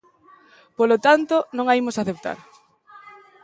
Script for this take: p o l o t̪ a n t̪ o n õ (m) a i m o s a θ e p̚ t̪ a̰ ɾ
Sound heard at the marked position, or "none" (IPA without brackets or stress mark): ŋ